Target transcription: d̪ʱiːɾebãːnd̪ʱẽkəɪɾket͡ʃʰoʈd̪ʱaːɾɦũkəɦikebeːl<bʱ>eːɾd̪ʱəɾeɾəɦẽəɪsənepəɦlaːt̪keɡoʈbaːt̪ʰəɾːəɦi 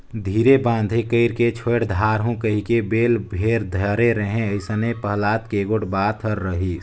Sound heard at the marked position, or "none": bʱ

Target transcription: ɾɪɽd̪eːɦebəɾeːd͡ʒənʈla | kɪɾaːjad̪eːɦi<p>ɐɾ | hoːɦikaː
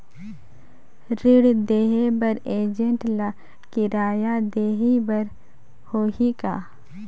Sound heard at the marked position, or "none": b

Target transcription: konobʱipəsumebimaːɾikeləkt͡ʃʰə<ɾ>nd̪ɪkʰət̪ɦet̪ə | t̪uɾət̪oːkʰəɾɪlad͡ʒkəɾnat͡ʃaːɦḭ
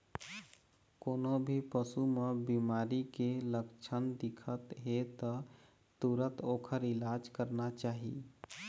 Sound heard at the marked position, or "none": none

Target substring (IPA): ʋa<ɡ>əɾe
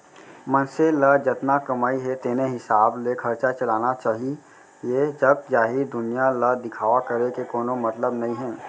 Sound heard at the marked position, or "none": k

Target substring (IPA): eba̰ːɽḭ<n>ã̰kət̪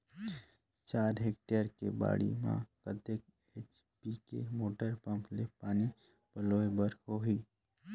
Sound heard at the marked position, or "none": m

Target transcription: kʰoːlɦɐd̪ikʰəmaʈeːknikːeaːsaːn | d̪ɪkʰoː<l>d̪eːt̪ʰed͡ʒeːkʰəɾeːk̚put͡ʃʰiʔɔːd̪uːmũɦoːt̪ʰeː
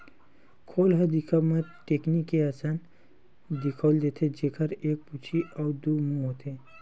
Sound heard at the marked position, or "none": l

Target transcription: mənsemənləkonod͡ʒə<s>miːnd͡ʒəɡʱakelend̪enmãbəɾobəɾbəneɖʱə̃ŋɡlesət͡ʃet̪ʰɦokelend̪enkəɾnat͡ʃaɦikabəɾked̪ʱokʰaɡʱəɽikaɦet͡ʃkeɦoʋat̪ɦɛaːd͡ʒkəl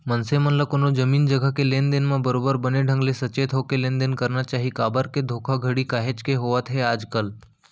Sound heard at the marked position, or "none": none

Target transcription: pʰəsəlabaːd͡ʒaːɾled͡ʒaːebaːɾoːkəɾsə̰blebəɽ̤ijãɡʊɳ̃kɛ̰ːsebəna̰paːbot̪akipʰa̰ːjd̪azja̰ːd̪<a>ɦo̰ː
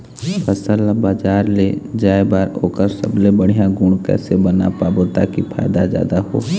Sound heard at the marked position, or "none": a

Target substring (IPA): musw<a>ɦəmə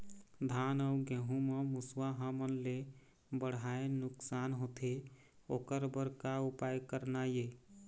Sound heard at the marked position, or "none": a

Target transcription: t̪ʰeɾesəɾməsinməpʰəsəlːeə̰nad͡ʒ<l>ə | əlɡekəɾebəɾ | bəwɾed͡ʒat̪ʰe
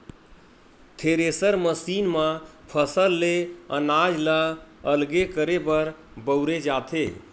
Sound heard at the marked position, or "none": l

